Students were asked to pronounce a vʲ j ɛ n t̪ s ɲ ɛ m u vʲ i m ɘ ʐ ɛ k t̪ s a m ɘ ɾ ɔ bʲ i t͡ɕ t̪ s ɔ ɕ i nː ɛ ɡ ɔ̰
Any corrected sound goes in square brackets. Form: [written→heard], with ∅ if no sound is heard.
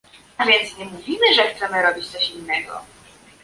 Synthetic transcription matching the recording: a vʲ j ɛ n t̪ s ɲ ɛ m u vʲ i m ɘ ʐ ɛ [k→x] t̪ s [a→ɛ] m ɘ ɾ ɔ bʲ i t͡ɕ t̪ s ɔ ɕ i nː ɛ ɡ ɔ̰